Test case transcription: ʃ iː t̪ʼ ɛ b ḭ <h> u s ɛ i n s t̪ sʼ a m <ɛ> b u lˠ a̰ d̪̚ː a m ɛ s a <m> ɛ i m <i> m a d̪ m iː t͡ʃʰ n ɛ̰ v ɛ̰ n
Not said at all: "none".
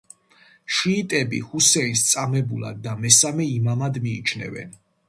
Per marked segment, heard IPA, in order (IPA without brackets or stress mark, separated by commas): h, ɛ, m, a